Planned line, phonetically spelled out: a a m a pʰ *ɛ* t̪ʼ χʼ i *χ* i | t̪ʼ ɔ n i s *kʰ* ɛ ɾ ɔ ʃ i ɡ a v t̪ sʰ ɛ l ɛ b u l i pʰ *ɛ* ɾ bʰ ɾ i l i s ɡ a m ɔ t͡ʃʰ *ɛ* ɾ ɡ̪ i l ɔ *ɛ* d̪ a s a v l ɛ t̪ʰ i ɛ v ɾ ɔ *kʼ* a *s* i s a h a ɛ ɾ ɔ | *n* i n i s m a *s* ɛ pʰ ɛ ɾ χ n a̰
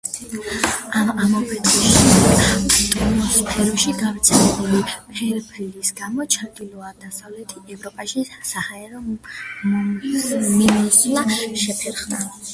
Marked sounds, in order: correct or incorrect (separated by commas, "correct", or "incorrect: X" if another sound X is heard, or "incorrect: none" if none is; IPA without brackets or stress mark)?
correct, incorrect: ʃ, incorrect: pʰ, correct, incorrect: a, incorrect: a, incorrect: pʼ, incorrect: ʃ, incorrect: m, incorrect: ʃ